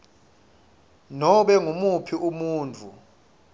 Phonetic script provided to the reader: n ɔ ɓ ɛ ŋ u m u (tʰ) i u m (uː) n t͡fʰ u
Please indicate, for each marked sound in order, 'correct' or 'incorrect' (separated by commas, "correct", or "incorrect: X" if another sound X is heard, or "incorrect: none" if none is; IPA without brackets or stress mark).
incorrect: pʰ, correct